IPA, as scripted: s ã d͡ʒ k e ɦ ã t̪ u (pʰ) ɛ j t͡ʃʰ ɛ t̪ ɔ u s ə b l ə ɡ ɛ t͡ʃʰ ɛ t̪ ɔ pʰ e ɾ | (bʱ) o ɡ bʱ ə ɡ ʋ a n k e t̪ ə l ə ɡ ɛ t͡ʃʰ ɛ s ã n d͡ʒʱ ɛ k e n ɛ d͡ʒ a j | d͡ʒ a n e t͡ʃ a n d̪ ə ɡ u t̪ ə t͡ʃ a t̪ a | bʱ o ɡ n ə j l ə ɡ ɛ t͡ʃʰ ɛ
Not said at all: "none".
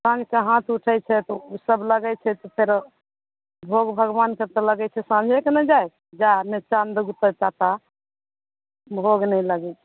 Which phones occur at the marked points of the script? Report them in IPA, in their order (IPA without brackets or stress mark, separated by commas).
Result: ʈʰ, bʱ